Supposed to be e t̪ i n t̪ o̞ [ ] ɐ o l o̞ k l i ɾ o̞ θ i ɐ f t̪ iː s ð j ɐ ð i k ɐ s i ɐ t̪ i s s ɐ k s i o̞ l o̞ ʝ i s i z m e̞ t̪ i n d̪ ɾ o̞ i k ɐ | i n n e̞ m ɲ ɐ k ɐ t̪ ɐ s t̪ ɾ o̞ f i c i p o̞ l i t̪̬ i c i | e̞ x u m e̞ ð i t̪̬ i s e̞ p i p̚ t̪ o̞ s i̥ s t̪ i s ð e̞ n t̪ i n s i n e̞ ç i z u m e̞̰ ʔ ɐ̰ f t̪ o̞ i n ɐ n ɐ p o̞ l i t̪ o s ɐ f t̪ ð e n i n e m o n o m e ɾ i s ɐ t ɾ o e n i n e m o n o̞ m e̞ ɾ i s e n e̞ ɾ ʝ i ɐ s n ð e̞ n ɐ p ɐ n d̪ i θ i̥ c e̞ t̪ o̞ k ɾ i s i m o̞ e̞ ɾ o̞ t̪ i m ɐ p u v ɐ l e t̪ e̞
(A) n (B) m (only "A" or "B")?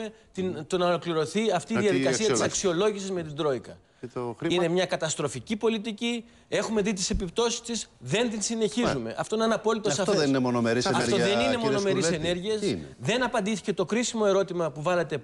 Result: A